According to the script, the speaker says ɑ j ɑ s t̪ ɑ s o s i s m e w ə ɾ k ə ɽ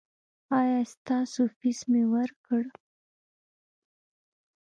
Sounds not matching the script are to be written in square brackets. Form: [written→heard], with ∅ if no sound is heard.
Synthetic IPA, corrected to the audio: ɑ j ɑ s t̪ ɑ s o [s→f] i s m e w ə ɾ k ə ɽ